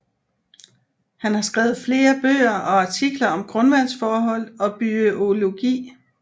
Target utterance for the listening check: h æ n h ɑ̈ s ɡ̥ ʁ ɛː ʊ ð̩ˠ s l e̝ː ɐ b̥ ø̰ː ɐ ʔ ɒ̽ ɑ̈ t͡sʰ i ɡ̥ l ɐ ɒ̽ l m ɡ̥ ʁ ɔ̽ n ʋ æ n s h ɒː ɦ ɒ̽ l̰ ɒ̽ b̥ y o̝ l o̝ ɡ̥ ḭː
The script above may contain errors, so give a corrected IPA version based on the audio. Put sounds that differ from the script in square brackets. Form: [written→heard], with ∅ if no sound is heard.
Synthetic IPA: h æ n h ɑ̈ s ɡ̥ ʁ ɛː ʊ ð̩ˠ [s→f] l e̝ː ɐ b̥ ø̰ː ɐ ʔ ɒ̽ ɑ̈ t͡sʰ i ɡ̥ l ɐ ɒ̽ [l→∅] m ɡ̥ ʁ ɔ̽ n ʋ æ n s [h→f] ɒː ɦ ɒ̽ l̰ ɒ̽ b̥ y o̝ l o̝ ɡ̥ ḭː

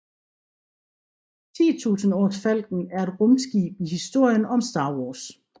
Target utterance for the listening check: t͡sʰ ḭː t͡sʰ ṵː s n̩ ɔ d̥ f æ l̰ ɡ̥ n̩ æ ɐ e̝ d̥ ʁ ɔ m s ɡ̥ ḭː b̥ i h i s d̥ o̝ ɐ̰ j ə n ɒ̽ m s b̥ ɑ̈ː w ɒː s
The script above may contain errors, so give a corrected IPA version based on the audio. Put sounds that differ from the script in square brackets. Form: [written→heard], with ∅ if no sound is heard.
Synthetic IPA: t͡sʰ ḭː t͡sʰ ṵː s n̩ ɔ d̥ f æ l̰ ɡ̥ n̩ æ ɐ e̝ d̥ ʁ ɔ m s ɡ̥ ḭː b̥ i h i s d̥ o̝ ɐ̰ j ə n ɒ̽ m s [b̥→d̥] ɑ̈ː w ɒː s

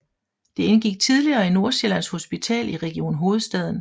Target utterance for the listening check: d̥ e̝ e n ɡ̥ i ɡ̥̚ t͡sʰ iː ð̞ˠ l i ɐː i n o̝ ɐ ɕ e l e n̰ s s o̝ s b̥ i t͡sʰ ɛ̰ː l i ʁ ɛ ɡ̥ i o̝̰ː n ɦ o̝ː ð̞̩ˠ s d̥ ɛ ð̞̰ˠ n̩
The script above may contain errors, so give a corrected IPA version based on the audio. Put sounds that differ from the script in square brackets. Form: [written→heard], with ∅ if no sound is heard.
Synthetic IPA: d̥ e̝ e n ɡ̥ i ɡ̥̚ t͡sʰ [iː→i] ð̞ˠ l i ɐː i n o̝ ɐ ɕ e l [e→æ] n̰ s [s→h] o̝ s b̥ i t͡sʰ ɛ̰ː l i ʁ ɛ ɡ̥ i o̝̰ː n ɦ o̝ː ð̞̩ˠ s d̥ ɛ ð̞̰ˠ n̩

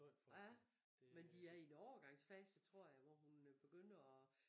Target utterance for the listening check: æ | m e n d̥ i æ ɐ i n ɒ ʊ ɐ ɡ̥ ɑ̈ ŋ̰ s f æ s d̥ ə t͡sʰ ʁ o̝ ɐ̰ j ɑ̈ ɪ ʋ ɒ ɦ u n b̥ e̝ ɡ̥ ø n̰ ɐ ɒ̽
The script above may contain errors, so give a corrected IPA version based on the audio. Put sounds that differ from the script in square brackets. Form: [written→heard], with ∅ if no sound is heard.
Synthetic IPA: æ | m e n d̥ i æ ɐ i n ɒ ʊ ɐ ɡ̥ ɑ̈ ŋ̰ s f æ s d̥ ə t͡sʰ ʁ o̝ ɐ̰ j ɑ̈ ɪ ʋ ɒ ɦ u n b̥ e̝ ɡ̥ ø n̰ ɐ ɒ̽

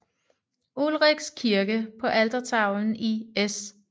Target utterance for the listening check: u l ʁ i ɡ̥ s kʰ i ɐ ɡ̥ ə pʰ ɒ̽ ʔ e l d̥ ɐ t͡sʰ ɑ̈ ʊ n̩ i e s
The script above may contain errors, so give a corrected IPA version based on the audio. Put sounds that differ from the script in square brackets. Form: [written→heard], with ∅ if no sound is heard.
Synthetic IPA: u l ʁ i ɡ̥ s kʰ i ɐ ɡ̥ ə pʰ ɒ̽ ʔ [e→æ] l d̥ ɐ t͡sʰ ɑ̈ ʊ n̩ i e s

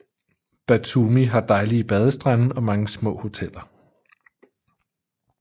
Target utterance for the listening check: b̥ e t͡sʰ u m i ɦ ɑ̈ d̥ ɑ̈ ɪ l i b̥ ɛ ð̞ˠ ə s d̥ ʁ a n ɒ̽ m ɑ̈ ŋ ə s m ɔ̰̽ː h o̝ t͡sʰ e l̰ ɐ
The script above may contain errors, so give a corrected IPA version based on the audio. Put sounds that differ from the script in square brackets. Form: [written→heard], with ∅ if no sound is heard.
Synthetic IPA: b̥ [e→æ] t͡sʰ u m i ɦ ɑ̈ d̥ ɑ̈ ɪ l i b̥ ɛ ð̞ˠ ə s d̥ ʁ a n ɒ̽ m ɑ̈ ŋ ə s m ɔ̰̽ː h o̝ t͡sʰ e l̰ ɐ

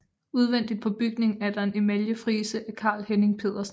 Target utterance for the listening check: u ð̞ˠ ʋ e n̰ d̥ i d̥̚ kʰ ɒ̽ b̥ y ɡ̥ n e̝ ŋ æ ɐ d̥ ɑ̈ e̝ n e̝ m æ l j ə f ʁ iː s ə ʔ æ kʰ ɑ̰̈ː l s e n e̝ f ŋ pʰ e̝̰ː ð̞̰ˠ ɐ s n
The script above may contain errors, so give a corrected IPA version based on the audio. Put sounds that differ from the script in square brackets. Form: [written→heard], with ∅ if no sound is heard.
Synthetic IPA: u ð̞ˠ ʋ e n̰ d̥ i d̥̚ [kʰ→pʰ] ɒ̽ b̥ y ɡ̥ n e̝ ŋ æ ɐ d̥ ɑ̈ e̝ n e̝ m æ l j ə f ʁ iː s ə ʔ æ kʰ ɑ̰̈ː l [s→h] e n e̝ [f→∅] ŋ pʰ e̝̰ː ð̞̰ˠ ɐ s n

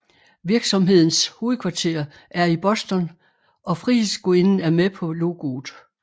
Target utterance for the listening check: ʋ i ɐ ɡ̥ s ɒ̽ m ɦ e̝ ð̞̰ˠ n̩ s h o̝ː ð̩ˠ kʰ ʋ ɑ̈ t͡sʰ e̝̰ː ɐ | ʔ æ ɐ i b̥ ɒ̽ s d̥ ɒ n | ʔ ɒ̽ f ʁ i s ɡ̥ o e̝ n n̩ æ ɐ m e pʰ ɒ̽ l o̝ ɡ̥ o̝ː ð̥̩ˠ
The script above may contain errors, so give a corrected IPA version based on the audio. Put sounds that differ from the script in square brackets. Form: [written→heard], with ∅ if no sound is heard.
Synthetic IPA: ʋ i ɐ ɡ̥ s ɒ̽ m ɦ e̝ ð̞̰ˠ n̩ s h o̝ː ð̩ˠ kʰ ʋ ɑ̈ t͡sʰ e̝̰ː ɐ | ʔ æ ɐ i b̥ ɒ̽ s d̥ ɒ n | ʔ ɒ̽ f ʁ i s ɡ̥ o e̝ n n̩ æ ɐ m e pʰ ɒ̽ l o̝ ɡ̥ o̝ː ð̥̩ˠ

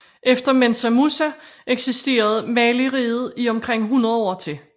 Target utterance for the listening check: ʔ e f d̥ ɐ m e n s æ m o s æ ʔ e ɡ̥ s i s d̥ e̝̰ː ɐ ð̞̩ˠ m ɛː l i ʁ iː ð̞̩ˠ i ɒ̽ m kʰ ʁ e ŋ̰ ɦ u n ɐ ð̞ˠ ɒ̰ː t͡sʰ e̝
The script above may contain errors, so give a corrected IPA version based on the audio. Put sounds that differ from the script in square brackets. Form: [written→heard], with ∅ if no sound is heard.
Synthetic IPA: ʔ e f d̥ ɐ m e n s æ m [o→u] s æ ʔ e ɡ̥ s i s d̥ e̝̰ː ɐ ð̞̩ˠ m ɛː l i ʁ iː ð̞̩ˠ i ɒ̽ m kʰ ʁ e ŋ̰ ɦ u n ɐ ð̞ˠ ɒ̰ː t͡sʰ e̝

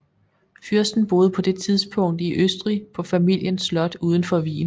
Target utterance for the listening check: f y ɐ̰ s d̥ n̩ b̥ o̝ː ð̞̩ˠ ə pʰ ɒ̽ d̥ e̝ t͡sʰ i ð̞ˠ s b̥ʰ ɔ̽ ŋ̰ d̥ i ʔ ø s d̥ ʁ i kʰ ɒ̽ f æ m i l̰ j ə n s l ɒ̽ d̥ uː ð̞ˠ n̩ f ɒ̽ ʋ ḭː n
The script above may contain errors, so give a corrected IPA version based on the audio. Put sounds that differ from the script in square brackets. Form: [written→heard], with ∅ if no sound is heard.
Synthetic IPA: f y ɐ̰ s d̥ n̩ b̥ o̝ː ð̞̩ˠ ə pʰ ɒ̽ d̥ e̝ t͡sʰ i ð̞ˠ s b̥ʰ ɔ̽ ŋ̰ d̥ i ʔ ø s d̥ ʁ i [kʰ→pʰ] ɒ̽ f æ m i l̰ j ə n s l ɒ̽ d̥ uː ð̞ˠ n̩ f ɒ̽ ʋ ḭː n

